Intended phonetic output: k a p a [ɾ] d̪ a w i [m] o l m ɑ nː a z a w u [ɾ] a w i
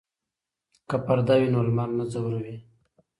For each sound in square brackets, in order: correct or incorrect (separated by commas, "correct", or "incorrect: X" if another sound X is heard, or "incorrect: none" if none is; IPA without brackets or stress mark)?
correct, incorrect: n, correct